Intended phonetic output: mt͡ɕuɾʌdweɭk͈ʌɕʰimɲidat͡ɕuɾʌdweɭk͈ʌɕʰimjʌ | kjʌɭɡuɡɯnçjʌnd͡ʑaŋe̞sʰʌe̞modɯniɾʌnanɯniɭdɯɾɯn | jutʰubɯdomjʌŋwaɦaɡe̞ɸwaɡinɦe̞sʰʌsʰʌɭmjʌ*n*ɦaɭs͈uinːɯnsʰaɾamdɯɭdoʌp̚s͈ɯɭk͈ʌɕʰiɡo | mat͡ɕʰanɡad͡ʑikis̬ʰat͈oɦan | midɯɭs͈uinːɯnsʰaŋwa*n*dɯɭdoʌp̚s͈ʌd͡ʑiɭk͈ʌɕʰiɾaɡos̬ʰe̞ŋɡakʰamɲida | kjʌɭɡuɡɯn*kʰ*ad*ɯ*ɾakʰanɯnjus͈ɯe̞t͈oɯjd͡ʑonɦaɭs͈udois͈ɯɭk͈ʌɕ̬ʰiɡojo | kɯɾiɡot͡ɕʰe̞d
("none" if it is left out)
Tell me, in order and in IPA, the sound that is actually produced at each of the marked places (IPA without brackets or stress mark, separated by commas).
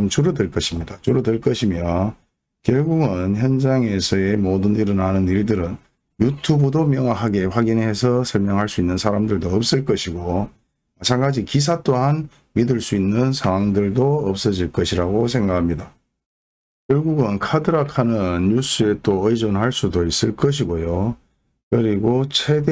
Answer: ŋ, ŋ, kʰ, ɯ